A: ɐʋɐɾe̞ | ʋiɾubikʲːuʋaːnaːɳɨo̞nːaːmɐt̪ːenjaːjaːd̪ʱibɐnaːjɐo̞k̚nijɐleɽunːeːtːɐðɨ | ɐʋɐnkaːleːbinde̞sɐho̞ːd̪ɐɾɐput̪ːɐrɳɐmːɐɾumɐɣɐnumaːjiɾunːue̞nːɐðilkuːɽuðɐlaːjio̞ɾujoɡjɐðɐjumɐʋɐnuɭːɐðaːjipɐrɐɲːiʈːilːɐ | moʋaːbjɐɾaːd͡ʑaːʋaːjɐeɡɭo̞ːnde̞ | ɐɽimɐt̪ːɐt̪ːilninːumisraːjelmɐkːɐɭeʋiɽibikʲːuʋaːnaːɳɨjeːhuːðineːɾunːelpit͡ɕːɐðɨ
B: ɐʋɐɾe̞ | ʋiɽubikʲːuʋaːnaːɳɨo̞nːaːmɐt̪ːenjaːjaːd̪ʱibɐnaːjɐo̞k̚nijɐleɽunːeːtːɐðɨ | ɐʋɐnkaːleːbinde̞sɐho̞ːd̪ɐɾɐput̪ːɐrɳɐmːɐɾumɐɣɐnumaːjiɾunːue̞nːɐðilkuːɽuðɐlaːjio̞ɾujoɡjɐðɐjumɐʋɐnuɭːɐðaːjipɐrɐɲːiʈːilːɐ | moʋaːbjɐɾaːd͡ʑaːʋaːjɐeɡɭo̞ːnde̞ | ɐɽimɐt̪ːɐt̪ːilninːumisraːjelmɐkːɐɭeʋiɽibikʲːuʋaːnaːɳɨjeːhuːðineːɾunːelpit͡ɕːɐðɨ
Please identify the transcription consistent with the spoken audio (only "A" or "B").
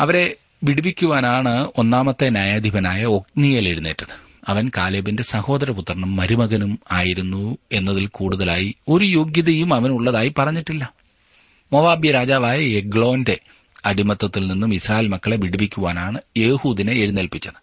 B